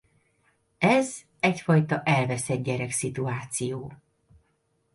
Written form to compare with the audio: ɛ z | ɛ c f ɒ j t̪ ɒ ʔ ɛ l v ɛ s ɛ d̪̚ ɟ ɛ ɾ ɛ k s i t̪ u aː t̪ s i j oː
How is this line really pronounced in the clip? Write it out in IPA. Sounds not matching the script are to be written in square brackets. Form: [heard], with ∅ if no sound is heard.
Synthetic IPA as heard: ɛ z | ɛ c f ɒ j t̪ ɒ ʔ ɛ l v ɛ s ɛ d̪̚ ɟ ɛ ɾ ɛ k s i t̪ u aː t̪ s i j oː